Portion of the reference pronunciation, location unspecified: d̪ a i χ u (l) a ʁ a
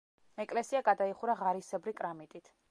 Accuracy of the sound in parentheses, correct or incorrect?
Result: incorrect